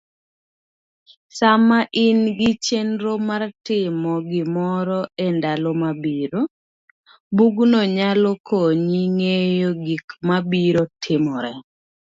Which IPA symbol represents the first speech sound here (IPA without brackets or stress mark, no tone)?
s